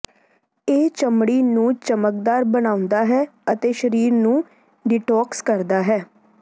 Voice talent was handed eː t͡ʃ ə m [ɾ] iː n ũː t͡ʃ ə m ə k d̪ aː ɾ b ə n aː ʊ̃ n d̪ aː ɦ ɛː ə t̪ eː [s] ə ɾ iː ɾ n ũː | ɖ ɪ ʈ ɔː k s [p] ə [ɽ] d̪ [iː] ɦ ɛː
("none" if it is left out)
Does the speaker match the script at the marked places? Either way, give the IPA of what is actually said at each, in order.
ɽ, ʃ, k, ɾ, aː

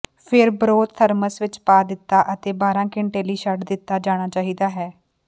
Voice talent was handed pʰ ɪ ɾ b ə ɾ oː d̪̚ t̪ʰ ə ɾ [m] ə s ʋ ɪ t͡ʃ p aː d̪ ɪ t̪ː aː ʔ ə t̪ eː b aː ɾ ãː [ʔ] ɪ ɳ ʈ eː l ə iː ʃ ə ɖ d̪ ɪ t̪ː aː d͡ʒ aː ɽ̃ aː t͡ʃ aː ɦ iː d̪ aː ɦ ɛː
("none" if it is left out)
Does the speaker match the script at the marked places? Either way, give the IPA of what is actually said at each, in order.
m, k

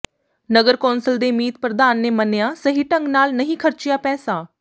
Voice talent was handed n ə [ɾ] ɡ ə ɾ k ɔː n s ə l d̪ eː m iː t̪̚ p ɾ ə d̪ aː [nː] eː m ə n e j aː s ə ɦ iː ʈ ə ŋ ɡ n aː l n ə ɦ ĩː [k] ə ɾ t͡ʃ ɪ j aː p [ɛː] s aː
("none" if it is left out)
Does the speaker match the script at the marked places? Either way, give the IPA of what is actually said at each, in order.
none, nː, kʰ, ɛː

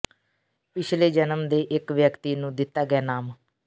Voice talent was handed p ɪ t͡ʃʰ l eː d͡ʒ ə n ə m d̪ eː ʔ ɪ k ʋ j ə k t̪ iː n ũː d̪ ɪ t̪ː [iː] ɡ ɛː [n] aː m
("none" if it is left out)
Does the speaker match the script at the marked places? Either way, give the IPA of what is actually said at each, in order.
aː, n

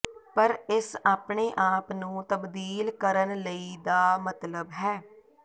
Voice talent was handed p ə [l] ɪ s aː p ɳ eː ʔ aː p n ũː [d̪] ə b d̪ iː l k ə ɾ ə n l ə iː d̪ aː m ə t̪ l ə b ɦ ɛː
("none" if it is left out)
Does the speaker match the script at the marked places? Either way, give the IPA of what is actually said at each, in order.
ɾ, t̪

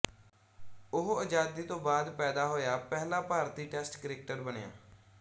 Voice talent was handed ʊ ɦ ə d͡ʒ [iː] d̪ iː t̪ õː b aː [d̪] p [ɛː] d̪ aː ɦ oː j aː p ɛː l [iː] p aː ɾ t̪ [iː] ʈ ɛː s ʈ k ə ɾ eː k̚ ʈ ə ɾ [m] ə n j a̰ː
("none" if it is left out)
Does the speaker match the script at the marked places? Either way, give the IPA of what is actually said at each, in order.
aː, d̪, ɛː, aː, iː, b

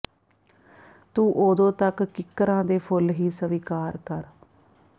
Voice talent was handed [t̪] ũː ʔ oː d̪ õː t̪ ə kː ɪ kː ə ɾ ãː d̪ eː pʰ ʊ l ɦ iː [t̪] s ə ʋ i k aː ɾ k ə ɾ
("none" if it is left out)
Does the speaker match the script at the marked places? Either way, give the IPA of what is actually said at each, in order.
t̪, none

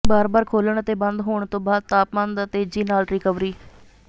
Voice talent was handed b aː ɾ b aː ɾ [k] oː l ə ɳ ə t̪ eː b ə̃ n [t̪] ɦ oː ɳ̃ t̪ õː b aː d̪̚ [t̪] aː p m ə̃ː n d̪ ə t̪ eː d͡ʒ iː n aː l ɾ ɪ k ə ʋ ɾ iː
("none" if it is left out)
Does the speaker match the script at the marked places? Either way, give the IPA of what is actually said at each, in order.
kʰ, d̪, t̪

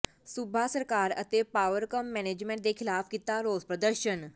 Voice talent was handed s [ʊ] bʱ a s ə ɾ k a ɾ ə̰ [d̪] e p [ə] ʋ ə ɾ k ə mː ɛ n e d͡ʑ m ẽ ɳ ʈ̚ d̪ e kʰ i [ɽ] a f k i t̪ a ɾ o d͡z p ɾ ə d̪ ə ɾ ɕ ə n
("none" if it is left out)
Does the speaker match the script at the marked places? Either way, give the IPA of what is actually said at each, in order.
u, t̪, a, l

